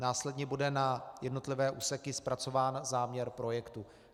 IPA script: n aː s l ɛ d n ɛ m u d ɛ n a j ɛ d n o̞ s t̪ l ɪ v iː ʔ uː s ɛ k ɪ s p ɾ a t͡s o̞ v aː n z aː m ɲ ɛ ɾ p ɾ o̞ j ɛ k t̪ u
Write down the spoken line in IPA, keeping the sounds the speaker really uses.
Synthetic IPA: n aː s l ɛ d ɲ ɛ b u d ɛ n a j ɛ d n o̞ t̪ l ɪ v ɛː ʔ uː s ɛ k ɪ s p ɾ a t͡s o̞ v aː n z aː m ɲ ɛ ɾ p ɾ o̞ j ɛ k t̪ u